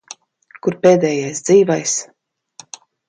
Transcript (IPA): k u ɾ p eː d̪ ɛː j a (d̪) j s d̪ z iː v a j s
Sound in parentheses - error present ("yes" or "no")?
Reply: yes